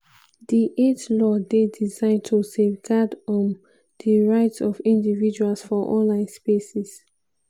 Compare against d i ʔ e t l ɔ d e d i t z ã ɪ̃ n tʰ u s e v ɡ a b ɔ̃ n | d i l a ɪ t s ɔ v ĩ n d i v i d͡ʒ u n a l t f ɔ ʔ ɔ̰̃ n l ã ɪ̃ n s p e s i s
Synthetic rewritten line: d i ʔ e t l ɔ d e d i z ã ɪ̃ n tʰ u s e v ɡ a d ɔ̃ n | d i ɹ a ɪ t s ɔ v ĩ n d i v i d͡ʒ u a l s f ɔ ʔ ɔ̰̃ n l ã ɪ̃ n s p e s i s